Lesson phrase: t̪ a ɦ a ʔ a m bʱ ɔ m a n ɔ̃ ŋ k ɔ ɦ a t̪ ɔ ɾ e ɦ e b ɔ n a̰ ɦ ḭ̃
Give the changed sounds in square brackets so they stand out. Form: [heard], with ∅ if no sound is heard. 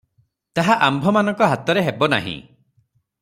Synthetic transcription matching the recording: t̪ a ɦ a ʔ a m bʱ ɔ m a n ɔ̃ ŋ k ɔ ɦ a t̪ ɔ ɾ e ɦ e b ɔ n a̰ ɦ ḭ̃